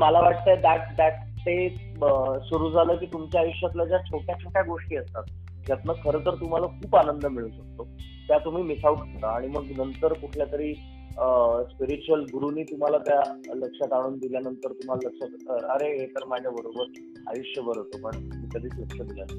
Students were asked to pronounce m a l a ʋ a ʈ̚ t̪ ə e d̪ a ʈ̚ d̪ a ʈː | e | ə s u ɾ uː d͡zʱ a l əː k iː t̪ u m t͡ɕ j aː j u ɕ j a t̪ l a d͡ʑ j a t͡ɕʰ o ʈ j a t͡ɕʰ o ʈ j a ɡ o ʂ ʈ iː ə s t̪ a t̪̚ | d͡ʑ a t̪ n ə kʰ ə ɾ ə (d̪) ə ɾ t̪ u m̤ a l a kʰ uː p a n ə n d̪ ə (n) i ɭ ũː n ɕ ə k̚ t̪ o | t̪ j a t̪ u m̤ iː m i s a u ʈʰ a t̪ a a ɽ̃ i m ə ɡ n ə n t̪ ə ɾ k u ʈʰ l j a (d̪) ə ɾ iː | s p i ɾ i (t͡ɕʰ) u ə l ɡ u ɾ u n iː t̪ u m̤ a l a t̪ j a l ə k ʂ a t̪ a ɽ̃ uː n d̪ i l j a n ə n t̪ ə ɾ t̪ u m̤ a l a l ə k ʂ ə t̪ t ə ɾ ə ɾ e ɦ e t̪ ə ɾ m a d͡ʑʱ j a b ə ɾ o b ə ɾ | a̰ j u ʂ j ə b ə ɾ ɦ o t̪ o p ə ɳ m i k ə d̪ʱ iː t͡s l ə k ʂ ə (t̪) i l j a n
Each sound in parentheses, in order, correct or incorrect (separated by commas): incorrect, incorrect, incorrect, incorrect, incorrect